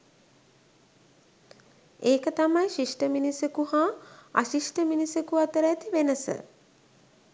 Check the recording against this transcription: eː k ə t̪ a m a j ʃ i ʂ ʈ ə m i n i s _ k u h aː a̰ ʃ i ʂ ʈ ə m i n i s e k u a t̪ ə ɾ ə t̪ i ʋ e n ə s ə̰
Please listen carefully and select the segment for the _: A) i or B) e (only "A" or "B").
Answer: B